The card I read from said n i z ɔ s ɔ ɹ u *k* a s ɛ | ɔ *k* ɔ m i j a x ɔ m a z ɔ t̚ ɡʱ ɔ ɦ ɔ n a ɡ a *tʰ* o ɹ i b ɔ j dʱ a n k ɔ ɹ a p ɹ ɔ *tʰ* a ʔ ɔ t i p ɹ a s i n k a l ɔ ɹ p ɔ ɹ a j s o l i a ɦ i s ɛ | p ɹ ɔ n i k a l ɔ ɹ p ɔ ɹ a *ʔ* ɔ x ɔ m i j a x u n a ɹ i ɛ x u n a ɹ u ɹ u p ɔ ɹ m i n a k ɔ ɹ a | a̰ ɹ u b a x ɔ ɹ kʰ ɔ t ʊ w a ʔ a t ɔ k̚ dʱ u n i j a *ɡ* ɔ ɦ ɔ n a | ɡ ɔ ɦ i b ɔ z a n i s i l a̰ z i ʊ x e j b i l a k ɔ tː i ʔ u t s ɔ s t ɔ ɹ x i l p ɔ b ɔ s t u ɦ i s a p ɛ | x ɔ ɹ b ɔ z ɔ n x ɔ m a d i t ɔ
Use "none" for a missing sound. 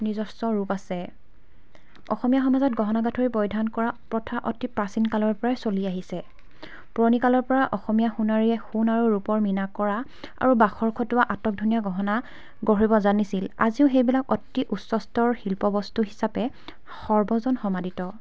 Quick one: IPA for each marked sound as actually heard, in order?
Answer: p, x, tʰ, tʰ, ʔ, ɡ

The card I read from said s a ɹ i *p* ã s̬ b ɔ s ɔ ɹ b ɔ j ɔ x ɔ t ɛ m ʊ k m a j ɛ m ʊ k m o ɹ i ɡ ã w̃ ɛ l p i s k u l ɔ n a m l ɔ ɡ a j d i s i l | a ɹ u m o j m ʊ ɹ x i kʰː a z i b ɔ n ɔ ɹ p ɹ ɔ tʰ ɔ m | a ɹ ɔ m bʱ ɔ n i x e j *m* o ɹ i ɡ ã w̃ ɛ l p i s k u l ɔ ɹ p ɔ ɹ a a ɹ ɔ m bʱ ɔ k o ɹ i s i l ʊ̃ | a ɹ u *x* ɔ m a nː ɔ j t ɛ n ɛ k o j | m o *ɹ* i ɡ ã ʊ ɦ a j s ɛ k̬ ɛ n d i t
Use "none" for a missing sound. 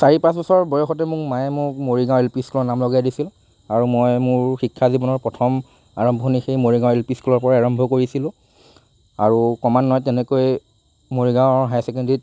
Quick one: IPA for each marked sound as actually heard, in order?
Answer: p, m, k, ɹ

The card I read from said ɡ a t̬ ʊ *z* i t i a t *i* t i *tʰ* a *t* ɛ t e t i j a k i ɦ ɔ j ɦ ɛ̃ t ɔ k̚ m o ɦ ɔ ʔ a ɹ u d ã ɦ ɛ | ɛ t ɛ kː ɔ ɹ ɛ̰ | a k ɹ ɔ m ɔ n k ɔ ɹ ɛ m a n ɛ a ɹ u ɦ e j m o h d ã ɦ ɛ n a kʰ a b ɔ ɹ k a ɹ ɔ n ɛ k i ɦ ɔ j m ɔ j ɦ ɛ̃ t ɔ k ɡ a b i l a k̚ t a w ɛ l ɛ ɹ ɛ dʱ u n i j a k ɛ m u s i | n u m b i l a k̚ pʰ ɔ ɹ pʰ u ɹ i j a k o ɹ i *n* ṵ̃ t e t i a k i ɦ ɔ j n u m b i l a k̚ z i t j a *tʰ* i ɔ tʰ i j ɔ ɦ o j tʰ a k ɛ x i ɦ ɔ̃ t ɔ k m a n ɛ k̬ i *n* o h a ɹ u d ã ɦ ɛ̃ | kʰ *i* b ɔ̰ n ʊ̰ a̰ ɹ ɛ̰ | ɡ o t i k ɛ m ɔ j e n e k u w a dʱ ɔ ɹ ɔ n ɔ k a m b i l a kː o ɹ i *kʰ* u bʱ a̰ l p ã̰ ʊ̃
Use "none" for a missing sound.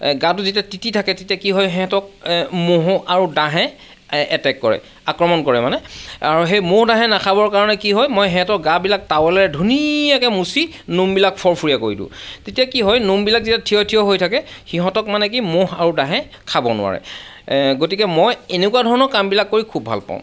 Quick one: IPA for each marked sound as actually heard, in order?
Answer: z, i, tʰ, k, d, tʰ, m, a, kʰ

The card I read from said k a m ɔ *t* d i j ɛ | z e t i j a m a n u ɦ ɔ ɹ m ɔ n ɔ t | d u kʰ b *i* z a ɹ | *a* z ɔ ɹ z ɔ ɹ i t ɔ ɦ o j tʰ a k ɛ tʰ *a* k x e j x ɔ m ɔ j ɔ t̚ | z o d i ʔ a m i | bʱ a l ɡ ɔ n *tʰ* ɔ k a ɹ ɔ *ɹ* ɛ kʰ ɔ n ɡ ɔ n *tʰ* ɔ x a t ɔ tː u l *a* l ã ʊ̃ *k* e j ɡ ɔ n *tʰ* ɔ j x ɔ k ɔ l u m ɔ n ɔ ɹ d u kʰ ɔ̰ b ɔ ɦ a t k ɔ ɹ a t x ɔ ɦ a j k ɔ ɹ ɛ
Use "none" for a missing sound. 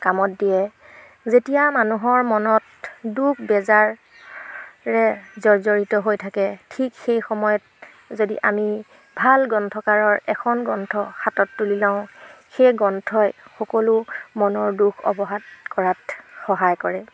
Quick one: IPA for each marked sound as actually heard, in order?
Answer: t, ɛ, ɛ, i, tʰ, ɹ, tʰ, i, x, tʰ

